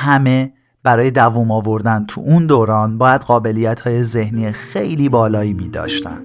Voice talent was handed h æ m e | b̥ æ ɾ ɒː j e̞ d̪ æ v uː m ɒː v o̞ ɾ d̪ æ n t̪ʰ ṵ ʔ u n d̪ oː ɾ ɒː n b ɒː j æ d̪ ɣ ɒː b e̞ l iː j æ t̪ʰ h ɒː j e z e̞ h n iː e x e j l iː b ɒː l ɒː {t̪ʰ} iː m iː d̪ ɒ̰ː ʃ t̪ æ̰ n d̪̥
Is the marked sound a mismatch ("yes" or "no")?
yes